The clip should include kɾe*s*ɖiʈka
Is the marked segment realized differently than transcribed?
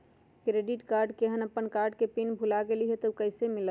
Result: yes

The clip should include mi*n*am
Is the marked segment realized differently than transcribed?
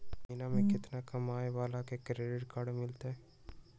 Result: no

